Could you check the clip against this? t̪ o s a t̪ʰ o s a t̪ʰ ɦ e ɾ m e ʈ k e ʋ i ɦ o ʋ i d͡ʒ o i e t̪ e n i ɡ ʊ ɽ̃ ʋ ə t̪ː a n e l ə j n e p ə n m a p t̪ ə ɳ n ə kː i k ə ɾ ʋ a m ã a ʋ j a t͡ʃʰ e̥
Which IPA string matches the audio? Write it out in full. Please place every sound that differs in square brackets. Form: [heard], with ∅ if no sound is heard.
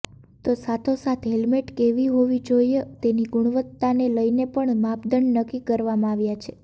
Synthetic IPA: t̪ o s a t̪ʰ o s a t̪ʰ ɦ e [l] m e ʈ k e ʋ i ɦ o ʋ i d͡ʒ o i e t̪ e n i ɡ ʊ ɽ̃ ʋ ə t̪ː a n e l ə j n e p ə [ɳ] m a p [d̪] ə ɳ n ə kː i k ə ɾ ʋ a m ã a ʋ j a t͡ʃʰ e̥